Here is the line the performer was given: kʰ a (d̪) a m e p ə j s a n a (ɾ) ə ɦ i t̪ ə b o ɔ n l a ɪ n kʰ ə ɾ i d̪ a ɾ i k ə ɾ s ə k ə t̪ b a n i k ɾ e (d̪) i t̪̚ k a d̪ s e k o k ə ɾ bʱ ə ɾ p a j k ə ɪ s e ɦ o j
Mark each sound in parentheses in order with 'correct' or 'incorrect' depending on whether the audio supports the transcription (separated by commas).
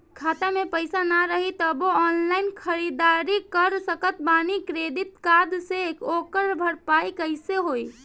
incorrect, correct, correct